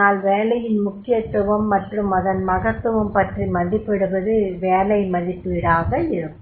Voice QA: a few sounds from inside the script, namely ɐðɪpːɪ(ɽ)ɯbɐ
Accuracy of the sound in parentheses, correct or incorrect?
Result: correct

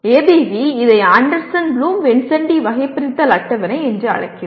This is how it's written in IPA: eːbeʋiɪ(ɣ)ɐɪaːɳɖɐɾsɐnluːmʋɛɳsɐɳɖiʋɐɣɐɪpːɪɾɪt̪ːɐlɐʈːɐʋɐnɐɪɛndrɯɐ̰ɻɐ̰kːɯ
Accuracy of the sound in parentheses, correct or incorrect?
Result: incorrect: ð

